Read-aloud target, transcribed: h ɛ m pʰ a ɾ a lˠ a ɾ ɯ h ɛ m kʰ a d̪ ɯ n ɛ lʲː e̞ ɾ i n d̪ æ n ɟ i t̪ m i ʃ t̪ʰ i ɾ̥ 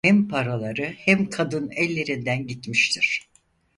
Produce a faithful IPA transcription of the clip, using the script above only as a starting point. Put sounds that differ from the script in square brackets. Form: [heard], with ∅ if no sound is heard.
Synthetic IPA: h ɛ m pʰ a ɾ a lˠ a ɾ ɯ h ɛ m kʰ a d̪ ɯ n ɛ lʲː e̞ ɾ i n d̪ æ n ɟ i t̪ m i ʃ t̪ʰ i ɾ̥